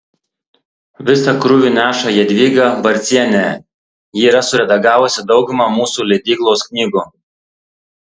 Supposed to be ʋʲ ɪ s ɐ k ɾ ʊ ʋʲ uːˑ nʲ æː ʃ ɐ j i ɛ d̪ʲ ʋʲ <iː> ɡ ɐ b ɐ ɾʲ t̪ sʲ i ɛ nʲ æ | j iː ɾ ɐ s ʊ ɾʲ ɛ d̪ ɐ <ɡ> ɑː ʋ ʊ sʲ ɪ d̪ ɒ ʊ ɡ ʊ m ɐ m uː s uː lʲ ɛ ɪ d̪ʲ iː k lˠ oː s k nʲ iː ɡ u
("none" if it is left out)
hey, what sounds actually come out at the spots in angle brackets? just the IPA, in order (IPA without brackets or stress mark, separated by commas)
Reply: iː, ɡ